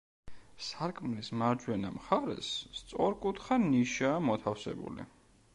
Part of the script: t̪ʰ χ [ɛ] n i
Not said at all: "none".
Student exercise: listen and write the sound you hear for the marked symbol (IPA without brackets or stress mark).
a